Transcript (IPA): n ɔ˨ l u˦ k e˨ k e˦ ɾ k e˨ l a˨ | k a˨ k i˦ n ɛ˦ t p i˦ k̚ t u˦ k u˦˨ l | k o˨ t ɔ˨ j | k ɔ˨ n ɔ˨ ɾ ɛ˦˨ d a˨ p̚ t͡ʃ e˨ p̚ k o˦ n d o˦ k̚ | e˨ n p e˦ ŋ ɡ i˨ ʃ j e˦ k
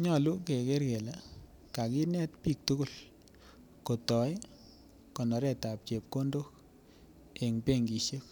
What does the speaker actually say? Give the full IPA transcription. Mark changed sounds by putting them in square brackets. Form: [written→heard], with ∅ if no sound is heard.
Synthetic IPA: [n→ɲ] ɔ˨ l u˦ k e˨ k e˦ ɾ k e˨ l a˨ | k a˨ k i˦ n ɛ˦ t p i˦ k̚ t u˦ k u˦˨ l | k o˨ t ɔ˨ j | k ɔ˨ n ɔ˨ ɾ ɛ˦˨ [d→t] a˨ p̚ t͡ʃ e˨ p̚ k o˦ n d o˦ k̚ | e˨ [n→ŋ] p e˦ ŋ ɡ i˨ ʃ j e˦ k

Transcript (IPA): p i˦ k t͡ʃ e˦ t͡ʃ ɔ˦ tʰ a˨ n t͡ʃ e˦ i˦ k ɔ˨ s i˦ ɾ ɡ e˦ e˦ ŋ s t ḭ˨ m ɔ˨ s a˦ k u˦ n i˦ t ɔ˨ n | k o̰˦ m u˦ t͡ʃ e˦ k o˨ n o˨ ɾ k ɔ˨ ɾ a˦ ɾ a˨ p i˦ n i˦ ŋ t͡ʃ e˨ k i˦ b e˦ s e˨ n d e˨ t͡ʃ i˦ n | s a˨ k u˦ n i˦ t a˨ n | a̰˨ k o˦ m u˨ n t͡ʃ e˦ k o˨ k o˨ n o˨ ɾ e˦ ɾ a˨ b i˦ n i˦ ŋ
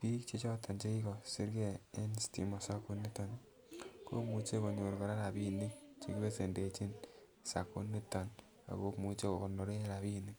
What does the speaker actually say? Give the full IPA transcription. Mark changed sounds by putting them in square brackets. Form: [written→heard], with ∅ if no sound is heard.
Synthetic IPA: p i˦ k t͡ʃ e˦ t͡ʃ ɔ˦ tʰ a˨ n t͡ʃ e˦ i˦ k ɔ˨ s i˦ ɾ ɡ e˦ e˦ [ŋ→n] s t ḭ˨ m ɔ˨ s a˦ k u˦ n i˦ t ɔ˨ n | k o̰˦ m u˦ t͡ʃ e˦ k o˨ [n→ɲ] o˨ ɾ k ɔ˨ ɾ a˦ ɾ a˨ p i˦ n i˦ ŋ t͡ʃ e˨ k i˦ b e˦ s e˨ n d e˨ t͡ʃ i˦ n | s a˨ k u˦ n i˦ t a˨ n | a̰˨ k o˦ m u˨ [n→∅] t͡ʃ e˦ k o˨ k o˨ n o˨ ɾ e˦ ɾ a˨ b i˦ n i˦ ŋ

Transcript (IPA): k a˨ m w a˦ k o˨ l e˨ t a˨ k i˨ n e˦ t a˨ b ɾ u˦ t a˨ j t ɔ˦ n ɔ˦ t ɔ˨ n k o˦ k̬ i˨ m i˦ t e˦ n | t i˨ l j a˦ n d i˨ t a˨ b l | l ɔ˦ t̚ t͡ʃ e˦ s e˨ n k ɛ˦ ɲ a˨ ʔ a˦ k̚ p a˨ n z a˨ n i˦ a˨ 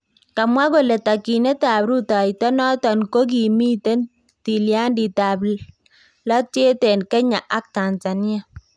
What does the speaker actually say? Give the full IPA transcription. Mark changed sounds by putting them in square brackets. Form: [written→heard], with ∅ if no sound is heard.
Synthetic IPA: k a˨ m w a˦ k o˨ l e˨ t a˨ k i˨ n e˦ t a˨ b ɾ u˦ t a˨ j t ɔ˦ n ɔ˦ t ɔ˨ n k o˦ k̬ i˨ m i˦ t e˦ n | t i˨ l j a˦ n d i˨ t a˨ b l | l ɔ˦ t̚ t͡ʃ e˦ [s→t] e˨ n k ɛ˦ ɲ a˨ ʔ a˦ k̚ [p→t] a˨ n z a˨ n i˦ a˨

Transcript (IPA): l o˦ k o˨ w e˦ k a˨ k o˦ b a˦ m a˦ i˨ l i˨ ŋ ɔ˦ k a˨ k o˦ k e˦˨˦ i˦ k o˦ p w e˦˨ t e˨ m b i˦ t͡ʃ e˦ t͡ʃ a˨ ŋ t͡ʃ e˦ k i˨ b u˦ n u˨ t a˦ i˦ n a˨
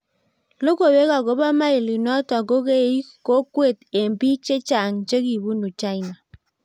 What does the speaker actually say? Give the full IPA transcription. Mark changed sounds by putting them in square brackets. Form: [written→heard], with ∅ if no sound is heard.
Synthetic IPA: l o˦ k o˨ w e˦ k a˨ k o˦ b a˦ m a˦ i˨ l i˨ [ŋ→n] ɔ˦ [k→t] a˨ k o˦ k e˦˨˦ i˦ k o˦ [p→k] w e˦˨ t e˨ m b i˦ t͡ʃ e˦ t͡ʃ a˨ ŋ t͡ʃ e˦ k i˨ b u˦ n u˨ [t→t͡ʃ] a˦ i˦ n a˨

